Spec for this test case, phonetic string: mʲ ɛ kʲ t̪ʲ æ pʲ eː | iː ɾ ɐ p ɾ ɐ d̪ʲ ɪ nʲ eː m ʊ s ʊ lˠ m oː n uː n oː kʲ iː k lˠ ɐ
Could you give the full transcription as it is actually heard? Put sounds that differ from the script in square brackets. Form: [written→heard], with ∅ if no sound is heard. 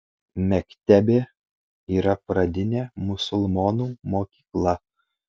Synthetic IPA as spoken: mʲ ɛ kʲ t̪ʲ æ [pʲ→bʲ] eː | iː ɾ ɐ p ɾ ɐ d̪ʲ ɪ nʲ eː m ʊ s ʊ lˠ m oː n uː [n→m] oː kʲ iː k lˠ ɐ